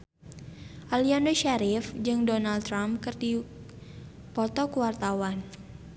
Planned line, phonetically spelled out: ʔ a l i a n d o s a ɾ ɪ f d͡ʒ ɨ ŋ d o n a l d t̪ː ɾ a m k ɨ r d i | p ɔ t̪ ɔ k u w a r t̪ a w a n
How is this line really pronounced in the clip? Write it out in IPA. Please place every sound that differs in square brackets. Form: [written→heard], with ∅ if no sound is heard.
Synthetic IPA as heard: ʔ a l i a n d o [s→ʃ] a ɾ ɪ f d͡ʒ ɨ ŋ d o n a l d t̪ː ɾ a m k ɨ r d i | p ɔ t̪ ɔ k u w a r t̪ a w a n